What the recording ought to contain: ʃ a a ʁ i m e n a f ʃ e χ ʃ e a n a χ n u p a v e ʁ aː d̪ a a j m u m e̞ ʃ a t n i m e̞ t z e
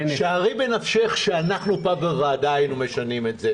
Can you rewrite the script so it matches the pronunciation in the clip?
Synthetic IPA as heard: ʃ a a ʁ i b e n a f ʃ e χ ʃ e a n a χ n u p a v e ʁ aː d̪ a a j n u m e̞ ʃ a n i m e̞ t z e